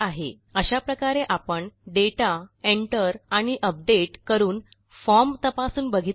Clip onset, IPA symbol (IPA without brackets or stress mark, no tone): a